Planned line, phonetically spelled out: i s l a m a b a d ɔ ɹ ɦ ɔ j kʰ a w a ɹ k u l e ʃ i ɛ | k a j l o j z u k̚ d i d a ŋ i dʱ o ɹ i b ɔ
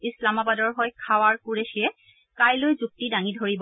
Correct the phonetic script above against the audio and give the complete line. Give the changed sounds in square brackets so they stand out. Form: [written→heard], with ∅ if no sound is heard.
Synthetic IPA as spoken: i s l a m a b a d ɔ ɹ ɦ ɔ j kʰ a w a ɹ k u [l→ɹ] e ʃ i ɛ | k a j l o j z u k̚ [d→t] i d a ŋ i dʱ o ɹ i b ɔ